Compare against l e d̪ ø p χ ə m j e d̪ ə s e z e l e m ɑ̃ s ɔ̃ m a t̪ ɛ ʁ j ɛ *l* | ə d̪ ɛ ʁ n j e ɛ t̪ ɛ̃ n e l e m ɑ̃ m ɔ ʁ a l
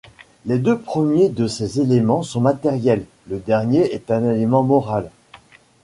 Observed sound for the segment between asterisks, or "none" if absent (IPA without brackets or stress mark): lː